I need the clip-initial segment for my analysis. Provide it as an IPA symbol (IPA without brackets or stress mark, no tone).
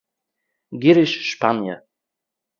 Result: ɡ